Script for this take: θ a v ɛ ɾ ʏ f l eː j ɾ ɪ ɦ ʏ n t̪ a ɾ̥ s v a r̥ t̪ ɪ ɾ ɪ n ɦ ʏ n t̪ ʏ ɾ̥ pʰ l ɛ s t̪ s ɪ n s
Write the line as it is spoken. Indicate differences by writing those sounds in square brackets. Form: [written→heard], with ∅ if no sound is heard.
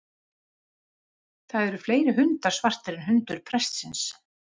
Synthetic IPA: θ a [v→ð] ɛ ɾ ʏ f l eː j ɾ ɪ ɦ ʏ n t̪ a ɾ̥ s v a r̥ t̪ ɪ ɾ ɪ n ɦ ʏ n t̪ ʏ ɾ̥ pʰ [l→ɾ] ɛ s t̪ s ɪ n s